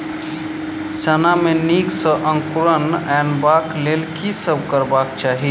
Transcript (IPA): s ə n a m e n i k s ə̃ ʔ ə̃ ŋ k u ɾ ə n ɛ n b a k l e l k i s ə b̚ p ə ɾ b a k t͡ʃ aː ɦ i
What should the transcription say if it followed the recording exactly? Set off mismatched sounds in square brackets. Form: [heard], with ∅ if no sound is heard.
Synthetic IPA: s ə n a m e n i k s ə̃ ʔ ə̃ ŋ k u ɾ ə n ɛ n b a k l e l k i s ə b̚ [k] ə ɾ b a k t͡ʃ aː ɦ i

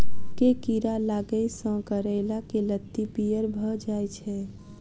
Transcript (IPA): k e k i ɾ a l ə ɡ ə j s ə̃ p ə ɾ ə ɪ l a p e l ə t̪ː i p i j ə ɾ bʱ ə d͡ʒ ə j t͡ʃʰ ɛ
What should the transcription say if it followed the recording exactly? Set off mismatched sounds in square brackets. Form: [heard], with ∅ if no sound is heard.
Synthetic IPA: k e k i ɾ a l [a] ɡ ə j s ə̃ [k] ə ɾ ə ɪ l a [k] e l ə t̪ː i p i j ə ɾ bʱ ə d͡ʒ [a] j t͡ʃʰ ɛ

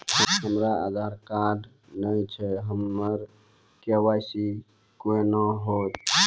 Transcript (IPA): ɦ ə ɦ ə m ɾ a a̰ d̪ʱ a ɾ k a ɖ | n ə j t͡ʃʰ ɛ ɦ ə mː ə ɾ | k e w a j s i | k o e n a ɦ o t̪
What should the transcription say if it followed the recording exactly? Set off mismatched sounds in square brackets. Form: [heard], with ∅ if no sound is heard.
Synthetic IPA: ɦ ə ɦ ə m ɾ a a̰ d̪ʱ a ɾ k a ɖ | n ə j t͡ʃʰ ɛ ɦ ə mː ə ɾ | k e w a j s i | k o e n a ɦ o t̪

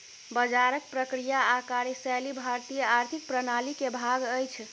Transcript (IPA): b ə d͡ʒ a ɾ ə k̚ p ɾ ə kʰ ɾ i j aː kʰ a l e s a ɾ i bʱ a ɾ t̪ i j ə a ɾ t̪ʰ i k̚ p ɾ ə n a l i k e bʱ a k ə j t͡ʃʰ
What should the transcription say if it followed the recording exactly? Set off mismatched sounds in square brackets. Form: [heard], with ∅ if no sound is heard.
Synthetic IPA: b ə d͡ʒ a ɾ ə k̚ p ɾ ə [k] ɾ i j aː [k] a [ɾ] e s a [l] i bʱ a ɾ t̪ i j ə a ɾ t̪ʰ i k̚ p ɾ ə n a l i k e bʱ a [ɡ] ə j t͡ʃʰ

